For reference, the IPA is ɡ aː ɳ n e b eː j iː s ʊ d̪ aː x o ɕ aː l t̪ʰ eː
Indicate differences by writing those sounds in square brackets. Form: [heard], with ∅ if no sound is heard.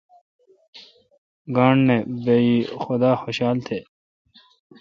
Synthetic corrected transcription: ɡ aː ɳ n e b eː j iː [x] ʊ d̪ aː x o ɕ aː l t̪ʰ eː